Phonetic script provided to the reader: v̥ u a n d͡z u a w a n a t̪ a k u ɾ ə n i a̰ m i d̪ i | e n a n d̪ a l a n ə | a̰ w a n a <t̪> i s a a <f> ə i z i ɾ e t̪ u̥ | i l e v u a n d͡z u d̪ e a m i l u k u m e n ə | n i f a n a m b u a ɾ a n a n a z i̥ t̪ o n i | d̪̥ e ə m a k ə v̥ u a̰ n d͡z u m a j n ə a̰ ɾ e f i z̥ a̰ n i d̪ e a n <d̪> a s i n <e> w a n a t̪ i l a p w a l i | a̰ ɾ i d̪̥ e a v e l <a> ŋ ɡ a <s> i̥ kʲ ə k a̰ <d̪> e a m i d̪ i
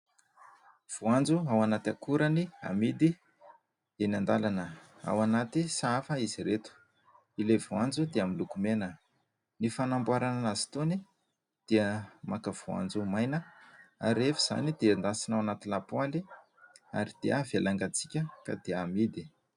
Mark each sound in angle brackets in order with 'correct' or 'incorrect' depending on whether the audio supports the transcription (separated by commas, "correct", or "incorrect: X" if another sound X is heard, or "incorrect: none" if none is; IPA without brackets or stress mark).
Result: correct, correct, correct, incorrect: a, correct, incorrect: t͡s, correct